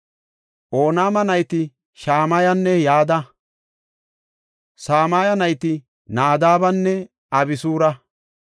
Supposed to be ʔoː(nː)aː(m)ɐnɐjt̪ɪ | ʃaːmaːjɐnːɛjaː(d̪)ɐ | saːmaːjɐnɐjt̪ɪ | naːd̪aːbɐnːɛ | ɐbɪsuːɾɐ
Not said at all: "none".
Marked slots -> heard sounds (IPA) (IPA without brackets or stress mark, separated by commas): n, m, d̪